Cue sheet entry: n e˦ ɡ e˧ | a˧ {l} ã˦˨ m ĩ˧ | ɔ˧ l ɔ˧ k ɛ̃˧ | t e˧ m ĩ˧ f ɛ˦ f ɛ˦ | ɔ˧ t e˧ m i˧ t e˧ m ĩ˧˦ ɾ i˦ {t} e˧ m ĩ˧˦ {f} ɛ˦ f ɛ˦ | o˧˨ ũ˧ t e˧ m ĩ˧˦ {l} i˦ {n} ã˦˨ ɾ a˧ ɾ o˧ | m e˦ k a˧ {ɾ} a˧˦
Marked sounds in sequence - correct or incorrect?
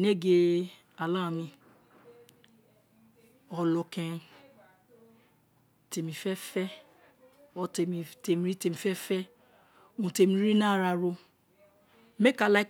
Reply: correct, correct, correct, incorrect, correct, incorrect

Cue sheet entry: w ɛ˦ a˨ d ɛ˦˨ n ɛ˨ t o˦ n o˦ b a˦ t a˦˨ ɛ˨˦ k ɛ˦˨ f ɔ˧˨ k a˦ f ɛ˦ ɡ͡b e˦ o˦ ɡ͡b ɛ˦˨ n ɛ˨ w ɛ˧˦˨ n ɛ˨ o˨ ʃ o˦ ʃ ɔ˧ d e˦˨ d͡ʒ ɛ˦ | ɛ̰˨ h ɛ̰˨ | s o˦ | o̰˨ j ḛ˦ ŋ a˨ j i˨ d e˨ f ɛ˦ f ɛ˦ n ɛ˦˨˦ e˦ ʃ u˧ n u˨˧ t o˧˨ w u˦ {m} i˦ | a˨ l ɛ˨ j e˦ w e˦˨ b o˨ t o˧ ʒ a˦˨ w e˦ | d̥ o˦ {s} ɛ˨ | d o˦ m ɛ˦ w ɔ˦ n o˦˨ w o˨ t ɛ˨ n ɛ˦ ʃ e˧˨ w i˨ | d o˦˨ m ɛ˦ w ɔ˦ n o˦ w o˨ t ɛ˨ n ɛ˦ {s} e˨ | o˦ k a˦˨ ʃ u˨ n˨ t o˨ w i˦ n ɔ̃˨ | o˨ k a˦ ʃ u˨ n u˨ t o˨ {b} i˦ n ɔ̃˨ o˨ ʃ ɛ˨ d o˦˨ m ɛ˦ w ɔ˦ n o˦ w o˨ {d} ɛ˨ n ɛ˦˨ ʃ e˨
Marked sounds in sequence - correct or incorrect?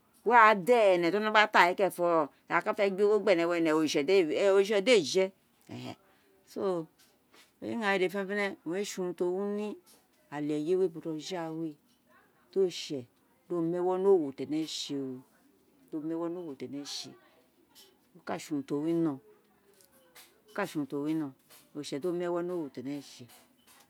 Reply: incorrect, incorrect, incorrect, incorrect, incorrect

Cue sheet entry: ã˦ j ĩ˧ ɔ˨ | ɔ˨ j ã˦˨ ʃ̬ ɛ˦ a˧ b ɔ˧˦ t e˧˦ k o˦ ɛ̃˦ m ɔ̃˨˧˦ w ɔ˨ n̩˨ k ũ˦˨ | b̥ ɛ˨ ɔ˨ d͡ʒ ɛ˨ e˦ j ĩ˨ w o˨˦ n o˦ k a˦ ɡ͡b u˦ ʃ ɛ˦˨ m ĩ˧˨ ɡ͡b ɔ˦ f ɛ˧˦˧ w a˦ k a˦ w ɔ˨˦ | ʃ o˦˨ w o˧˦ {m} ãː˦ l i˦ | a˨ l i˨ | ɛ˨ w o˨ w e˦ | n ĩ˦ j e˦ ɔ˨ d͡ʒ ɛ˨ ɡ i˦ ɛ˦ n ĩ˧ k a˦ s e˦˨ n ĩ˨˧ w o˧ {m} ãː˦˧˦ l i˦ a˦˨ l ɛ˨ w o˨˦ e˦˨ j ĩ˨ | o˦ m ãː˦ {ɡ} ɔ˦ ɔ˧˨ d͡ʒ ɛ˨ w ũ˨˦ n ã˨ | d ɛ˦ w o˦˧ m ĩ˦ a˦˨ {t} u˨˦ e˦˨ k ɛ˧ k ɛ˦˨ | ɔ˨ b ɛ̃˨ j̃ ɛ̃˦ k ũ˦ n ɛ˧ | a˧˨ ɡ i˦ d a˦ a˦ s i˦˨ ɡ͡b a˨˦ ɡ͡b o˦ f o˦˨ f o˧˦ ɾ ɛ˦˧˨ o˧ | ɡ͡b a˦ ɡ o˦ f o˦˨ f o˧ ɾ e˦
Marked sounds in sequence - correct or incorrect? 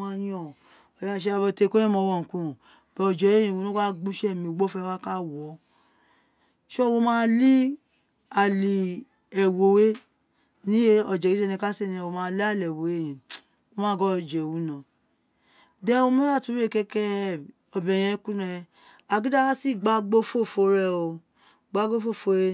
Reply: correct, correct, correct, correct

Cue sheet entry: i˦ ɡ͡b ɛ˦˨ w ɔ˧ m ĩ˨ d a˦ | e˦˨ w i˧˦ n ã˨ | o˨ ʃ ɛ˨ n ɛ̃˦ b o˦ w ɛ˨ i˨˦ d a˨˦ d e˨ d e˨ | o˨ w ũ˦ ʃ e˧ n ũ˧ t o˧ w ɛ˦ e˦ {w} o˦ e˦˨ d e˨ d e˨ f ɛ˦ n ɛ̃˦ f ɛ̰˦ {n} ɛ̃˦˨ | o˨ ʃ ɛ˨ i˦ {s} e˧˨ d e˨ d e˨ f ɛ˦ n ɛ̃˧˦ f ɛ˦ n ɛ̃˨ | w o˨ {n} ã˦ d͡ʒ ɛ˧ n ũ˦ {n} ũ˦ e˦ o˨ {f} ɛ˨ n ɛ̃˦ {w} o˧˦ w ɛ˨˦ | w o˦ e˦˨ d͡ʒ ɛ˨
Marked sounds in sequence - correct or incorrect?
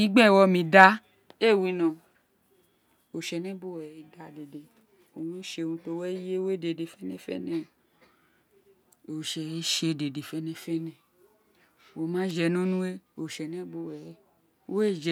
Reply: correct, correct, incorrect, incorrect, correct, incorrect, incorrect

